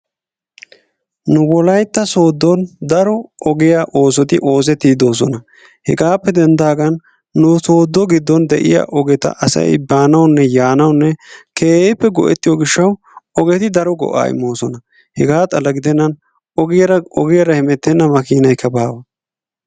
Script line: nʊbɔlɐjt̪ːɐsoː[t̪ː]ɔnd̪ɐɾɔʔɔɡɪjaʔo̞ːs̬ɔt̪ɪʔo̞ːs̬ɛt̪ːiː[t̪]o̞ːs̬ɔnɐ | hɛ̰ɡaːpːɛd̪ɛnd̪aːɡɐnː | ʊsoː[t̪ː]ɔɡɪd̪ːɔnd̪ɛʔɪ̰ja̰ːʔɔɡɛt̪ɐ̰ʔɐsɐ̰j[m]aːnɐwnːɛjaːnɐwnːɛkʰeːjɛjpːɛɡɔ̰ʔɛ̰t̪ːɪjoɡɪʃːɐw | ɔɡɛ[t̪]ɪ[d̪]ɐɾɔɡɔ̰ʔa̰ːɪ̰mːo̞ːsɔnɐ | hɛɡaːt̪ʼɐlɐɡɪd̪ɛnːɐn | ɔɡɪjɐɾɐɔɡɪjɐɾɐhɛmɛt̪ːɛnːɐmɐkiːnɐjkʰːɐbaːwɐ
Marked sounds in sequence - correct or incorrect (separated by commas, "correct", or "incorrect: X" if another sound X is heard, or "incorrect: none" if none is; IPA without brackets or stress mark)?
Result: incorrect: d̪ː, incorrect: d̪, incorrect: d̪ː, incorrect: b, correct, correct